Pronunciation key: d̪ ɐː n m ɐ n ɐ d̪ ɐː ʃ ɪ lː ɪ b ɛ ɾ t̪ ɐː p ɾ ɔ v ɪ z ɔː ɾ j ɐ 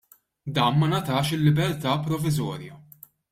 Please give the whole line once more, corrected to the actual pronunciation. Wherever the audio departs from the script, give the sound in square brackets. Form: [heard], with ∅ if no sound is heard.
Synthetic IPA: d̪ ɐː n m ɐ n ɐ [t̪] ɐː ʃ ɪ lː ɪ b ɛ ɾ t̪ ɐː p ɾ ɔ v ɪ z ɔː ɾ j ɐ